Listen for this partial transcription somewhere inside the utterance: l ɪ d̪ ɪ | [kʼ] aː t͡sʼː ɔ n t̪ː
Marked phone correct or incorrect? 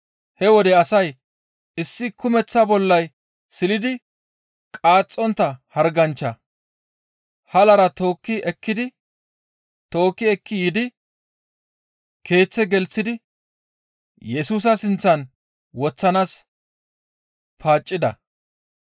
correct